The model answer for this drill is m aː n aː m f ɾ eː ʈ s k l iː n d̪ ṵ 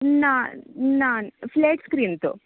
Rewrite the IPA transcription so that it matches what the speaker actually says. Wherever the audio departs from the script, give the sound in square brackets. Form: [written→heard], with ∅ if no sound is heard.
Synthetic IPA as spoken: [m→n] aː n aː [m→n] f [ɾ→l] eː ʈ s k [l→ɾ] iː n [d̪→t̪] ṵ